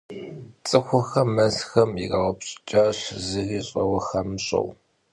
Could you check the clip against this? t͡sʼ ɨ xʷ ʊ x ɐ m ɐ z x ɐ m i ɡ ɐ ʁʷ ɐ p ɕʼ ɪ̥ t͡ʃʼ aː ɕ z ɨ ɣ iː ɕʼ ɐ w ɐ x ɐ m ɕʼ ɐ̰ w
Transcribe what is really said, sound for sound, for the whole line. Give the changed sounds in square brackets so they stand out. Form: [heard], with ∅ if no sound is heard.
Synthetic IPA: t͡sʼ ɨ xʷ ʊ x ɐ m ɐ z x ɐ m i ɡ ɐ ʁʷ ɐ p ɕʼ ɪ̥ t͡ʃʼ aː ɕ z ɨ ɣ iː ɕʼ ɐ w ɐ x ɐ m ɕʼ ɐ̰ w